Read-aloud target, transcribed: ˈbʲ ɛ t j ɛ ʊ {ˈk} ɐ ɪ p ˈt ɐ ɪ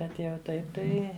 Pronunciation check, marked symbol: incorrect: t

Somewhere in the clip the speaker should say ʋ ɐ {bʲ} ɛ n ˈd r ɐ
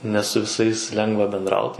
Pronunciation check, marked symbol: correct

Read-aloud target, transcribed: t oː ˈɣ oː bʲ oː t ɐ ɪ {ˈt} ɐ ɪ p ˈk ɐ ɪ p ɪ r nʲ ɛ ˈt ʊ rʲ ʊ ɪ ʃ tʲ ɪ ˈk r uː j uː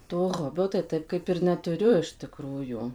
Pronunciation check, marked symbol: correct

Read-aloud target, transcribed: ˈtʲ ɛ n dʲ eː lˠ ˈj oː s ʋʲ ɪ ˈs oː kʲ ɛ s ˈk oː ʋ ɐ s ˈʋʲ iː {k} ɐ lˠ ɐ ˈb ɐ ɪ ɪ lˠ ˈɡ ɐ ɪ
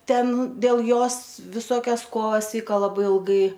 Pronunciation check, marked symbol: correct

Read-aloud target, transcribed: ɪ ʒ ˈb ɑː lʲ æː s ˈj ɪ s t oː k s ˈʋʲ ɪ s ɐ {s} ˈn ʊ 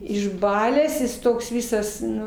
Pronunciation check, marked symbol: correct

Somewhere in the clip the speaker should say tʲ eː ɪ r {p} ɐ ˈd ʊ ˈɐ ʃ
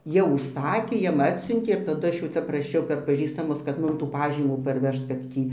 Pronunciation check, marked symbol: incorrect: t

